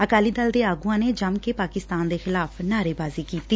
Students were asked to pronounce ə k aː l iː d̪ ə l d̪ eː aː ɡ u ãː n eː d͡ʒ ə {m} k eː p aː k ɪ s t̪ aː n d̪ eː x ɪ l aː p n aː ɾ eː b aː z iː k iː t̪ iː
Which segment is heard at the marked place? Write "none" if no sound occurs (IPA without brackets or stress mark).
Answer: m